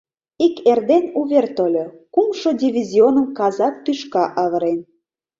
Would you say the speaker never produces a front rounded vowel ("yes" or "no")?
no